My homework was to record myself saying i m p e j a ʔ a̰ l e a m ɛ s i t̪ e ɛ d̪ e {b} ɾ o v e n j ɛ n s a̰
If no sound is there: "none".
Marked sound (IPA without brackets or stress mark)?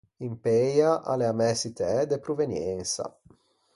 p